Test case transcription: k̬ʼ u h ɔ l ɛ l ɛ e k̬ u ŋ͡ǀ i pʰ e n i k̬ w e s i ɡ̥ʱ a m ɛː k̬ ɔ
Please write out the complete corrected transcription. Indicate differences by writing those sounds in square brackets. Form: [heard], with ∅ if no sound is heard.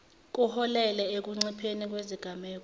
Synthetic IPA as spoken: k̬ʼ u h ɔ l ɛ l ɛ e k̬ u ŋ͡ǀ i pʰ e n i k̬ w e [z] i ɡ̥ʱ a m ɛː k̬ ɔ